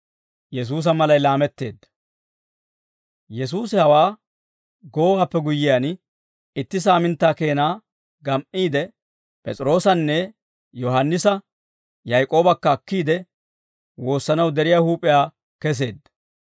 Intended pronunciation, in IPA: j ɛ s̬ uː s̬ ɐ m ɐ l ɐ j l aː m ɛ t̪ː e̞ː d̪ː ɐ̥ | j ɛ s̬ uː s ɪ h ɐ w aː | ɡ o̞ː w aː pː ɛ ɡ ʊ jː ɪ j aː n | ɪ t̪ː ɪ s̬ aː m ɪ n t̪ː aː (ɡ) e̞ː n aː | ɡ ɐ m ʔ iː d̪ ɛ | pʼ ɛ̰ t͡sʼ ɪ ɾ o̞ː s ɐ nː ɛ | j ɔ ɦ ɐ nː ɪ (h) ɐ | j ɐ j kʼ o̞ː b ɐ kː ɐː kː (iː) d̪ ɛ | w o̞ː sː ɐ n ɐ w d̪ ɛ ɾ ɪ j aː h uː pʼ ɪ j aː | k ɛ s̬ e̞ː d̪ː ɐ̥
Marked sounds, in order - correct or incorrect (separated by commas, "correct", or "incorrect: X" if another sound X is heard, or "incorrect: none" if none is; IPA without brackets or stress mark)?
incorrect: k, incorrect: s, correct